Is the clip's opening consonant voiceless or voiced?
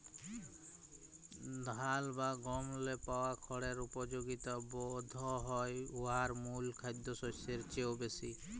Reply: voiced